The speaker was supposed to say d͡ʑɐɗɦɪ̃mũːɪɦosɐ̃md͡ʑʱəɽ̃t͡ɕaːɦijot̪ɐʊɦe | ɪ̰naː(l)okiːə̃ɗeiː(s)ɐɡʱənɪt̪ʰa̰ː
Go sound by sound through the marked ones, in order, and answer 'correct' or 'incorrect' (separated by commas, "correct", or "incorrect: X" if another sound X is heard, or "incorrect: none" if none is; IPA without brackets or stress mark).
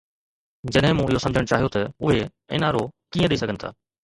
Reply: incorrect: ɾ, correct